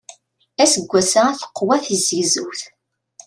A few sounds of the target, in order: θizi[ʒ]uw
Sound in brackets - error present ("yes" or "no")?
yes